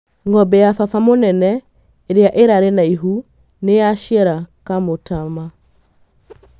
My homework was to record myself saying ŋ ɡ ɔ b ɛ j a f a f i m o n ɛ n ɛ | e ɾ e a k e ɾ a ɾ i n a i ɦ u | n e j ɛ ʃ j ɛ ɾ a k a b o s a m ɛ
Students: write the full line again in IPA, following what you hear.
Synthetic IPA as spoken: ŋ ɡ ɔ b ɛ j a f a f a m o n ɛ n ɛ | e ɾ e a ʔ e ɾ a ɾ e n a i ɦ u | n e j a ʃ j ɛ ɾ a k a m o t a m a